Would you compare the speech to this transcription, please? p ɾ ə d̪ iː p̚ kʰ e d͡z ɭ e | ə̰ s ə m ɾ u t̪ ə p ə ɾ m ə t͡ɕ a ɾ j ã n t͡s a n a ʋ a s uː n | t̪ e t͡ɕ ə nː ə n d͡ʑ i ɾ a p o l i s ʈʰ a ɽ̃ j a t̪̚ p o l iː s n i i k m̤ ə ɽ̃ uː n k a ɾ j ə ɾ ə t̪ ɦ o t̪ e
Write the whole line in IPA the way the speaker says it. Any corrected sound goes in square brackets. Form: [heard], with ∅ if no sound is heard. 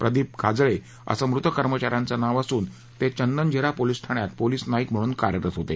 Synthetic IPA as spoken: p ɾ ə d̪ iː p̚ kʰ [a] d͡z ɭ e | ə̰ s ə m ɾ u t̪ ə [k] ə ɾ m ə t͡ɕ a ɾ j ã n t͡s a n a ʋ a s uː n | t̪ e t͡ɕ ə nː ə n d͡ʑ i ɾ a p o l i s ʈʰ a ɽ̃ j a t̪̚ p o l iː s n [a] i k m̤ ə ɽ̃ uː n k a ɾ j ə ɾ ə t̪ ɦ o t̪ e